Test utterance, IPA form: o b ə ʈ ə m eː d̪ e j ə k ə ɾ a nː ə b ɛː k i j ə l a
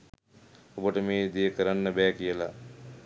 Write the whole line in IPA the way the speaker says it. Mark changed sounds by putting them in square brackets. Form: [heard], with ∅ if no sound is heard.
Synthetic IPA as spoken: o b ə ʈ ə m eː d̪ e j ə k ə ɾ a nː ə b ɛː k i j ə l a